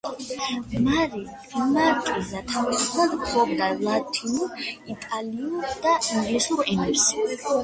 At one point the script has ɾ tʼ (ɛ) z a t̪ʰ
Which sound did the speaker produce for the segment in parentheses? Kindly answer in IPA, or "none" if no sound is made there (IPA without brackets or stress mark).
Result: i